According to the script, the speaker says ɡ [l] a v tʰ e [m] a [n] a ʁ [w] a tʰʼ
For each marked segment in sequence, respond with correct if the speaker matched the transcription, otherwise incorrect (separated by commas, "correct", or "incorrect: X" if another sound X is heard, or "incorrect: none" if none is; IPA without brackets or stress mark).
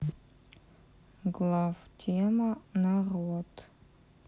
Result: correct, correct, correct, correct